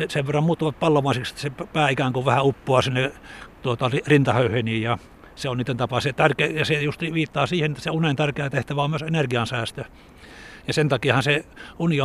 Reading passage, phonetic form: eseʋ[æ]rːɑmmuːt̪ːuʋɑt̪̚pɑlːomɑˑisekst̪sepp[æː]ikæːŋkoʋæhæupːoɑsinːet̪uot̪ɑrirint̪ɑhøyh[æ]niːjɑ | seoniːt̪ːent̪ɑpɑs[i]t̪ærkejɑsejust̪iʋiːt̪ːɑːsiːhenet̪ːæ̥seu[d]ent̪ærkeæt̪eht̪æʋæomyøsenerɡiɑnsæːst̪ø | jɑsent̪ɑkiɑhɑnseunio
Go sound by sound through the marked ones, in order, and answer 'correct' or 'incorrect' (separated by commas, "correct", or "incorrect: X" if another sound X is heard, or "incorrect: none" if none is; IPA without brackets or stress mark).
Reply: incorrect: e, correct, incorrect: e, incorrect: e, incorrect: n